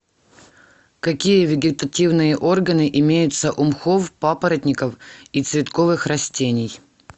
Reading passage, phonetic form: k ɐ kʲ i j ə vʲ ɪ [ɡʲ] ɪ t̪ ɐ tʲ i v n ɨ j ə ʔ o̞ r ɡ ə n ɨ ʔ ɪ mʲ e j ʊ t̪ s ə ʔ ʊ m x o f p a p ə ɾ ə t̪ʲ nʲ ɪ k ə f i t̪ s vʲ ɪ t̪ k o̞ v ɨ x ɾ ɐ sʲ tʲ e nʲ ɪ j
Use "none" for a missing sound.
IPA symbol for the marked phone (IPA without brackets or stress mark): ɡʲ